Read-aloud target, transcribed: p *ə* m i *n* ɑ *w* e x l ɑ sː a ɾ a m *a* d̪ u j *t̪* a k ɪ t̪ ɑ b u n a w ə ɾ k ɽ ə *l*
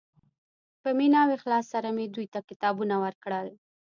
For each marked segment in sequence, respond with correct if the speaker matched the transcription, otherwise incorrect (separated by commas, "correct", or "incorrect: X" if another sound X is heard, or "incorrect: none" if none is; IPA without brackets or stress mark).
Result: correct, correct, correct, incorrect: e, correct, correct